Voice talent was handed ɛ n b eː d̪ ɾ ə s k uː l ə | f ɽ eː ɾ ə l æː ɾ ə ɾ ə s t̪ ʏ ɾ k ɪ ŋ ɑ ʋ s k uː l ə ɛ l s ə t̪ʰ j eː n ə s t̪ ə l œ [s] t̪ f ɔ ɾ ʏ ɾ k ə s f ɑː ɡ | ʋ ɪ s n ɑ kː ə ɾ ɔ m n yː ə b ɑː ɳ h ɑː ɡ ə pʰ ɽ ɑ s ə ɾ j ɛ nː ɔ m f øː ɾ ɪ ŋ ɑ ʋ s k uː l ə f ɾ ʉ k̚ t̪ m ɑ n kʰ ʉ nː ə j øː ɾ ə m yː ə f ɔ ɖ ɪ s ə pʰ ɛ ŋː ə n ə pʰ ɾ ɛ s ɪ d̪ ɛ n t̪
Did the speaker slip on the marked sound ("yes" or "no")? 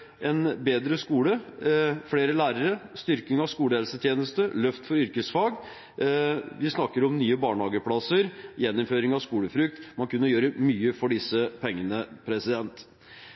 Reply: yes